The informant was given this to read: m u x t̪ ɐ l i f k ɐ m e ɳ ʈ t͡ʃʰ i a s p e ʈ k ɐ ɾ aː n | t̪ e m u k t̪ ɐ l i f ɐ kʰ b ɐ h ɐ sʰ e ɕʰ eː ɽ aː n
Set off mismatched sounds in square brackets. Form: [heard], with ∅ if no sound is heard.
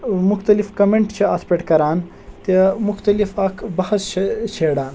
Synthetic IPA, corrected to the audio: m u x t̪ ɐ l i f k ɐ m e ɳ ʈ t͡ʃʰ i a s p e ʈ k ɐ ɾ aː n | t̪ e m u [x] t̪ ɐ l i f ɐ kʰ b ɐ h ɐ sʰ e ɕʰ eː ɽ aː n